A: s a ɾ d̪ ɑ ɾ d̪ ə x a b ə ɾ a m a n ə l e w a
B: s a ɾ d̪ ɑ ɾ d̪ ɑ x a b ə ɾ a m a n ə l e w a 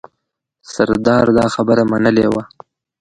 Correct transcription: B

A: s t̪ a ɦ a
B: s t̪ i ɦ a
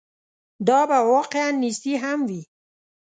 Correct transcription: B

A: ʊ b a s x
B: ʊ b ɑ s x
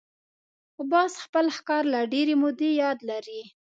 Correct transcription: B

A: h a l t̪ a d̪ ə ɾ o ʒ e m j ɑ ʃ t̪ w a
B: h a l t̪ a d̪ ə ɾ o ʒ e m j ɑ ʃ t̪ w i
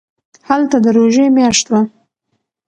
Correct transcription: A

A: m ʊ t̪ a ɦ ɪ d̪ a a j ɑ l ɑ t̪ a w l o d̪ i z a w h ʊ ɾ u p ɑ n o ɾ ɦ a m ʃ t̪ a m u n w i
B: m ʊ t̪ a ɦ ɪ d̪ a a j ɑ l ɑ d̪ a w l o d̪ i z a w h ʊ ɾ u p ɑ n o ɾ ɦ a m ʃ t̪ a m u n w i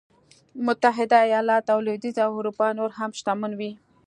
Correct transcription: A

